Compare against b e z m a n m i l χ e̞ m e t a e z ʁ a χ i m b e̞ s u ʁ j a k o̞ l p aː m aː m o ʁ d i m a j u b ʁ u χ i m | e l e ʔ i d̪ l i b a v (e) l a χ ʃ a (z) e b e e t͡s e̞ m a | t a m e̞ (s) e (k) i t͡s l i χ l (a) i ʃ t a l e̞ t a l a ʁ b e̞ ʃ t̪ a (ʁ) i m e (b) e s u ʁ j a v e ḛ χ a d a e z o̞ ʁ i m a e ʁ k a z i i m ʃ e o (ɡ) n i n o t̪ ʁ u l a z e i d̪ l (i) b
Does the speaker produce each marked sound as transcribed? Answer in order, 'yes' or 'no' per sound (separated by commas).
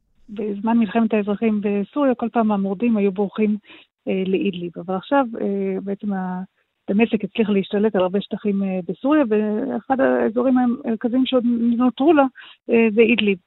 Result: no, no, yes, yes, no, no, yes, no, yes